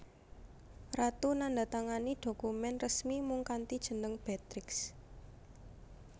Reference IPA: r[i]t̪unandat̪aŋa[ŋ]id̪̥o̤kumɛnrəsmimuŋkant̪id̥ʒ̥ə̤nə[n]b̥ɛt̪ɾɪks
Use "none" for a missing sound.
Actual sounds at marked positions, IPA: a, n, ŋ

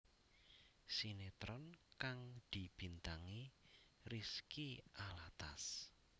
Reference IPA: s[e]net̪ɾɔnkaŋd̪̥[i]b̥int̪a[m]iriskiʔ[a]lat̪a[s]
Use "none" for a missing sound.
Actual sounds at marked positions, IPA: i, i, ŋ, a, s

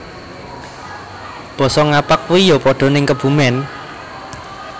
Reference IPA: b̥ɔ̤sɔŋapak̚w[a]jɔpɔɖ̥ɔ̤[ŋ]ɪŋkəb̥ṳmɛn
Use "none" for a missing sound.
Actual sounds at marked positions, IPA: i, n

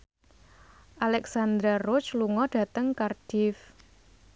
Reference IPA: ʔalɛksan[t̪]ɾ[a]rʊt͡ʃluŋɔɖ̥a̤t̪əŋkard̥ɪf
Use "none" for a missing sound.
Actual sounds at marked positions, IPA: d̪, a

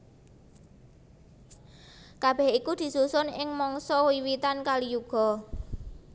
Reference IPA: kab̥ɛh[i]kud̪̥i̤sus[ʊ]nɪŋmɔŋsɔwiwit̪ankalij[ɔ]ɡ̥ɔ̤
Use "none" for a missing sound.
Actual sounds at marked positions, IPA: i, ʊ, u

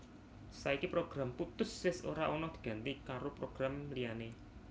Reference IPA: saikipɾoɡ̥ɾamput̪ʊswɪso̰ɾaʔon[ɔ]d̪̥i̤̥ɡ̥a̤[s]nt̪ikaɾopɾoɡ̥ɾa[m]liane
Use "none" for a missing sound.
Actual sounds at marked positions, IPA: ɔ, none, m

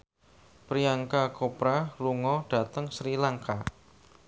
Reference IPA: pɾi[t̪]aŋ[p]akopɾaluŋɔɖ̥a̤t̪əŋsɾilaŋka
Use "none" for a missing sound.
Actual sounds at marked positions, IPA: none, k

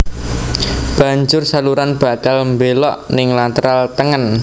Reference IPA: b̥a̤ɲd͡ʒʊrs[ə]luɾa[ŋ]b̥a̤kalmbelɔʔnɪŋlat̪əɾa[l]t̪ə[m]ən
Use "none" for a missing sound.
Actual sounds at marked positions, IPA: a, n, l, ŋ

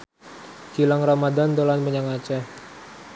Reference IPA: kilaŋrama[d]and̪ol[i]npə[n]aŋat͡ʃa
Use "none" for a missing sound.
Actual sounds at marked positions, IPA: d, a, ɲ

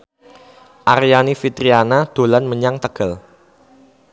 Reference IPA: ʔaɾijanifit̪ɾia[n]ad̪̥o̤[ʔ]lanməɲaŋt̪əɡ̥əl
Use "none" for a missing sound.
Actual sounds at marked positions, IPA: n, none

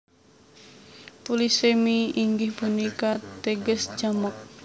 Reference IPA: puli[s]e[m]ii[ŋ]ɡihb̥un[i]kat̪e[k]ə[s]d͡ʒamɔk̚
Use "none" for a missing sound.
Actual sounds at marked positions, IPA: s, m, ŋ, i, ɡ, s

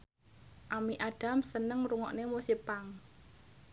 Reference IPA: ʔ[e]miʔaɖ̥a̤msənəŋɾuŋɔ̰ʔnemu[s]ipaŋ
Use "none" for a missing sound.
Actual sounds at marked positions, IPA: a, s

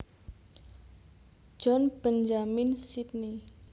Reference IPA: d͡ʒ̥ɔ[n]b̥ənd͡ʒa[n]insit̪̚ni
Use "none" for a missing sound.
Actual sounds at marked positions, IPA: n, m

